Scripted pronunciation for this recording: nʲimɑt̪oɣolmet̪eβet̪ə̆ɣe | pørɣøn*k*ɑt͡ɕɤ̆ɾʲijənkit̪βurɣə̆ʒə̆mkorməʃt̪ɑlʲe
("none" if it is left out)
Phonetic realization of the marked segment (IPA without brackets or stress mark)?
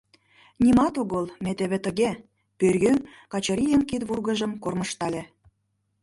k